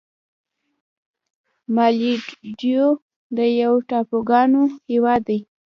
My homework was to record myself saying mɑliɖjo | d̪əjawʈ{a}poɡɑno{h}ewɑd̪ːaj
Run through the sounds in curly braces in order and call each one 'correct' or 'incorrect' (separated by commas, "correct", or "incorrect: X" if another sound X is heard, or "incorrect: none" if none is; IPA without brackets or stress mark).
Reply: incorrect: ɑ, correct